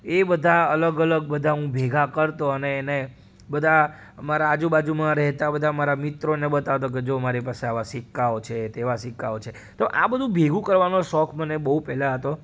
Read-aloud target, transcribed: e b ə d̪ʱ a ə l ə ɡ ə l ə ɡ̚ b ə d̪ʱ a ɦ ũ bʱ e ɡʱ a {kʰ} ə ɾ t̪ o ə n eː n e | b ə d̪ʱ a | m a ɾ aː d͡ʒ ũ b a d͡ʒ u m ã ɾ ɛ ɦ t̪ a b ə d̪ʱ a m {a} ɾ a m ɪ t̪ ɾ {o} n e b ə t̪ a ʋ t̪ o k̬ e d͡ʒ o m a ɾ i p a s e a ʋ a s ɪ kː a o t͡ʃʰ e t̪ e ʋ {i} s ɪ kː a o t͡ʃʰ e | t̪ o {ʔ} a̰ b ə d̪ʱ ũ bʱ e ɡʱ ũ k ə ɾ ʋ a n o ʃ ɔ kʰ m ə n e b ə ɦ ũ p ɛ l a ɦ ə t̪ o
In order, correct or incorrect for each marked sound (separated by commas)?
incorrect, correct, correct, incorrect, correct